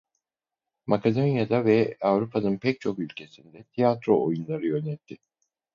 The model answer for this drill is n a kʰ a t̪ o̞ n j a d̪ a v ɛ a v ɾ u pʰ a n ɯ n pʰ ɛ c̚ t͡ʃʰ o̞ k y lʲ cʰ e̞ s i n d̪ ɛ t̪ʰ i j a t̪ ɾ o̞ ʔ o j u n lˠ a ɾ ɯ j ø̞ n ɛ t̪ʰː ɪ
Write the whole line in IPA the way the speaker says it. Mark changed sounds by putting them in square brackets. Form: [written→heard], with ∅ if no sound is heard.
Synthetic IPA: [n→m] a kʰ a [t̪→d̪] o̞ n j a d̪ a v ɛ a v ɾ u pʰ a n ɯ n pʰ ɛ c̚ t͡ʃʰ o̞ k y lʲ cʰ e̞ s i n d̪ ɛ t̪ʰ i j a t̪ ɾ o̞ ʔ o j u n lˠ a ɾ ɯ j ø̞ n ɛ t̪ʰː ɪ